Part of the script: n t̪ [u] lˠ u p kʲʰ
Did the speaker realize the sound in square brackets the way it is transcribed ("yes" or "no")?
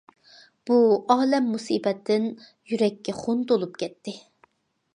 no